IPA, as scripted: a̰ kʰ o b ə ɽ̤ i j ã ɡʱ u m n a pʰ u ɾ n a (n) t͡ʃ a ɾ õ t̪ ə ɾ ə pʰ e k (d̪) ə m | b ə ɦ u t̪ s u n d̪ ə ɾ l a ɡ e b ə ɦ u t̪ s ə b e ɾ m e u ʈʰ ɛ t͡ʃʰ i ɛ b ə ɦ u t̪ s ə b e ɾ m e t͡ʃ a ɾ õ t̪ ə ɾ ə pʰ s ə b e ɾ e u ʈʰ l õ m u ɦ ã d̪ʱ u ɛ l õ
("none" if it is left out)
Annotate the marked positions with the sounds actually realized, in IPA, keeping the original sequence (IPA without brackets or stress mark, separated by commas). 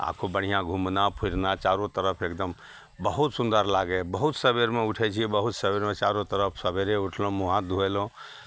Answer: none, d̪